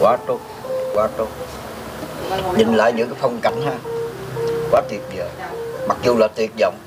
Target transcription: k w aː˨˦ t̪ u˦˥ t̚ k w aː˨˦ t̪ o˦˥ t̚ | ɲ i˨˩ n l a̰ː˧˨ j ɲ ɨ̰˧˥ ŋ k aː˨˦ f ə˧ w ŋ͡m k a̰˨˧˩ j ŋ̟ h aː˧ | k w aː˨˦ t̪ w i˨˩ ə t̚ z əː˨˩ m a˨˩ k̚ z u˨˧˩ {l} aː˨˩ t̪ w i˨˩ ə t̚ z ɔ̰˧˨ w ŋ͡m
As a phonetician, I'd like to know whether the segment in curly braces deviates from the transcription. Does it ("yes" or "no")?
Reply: no